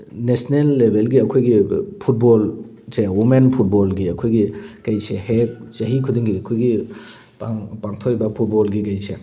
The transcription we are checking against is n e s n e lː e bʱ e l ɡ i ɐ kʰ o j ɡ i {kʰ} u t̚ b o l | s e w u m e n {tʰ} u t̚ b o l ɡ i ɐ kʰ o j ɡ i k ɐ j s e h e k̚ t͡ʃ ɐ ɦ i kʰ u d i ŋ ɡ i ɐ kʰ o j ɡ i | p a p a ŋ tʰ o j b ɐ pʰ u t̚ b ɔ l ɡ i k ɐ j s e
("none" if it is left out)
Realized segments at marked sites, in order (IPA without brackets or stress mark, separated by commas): pʰ, pʰ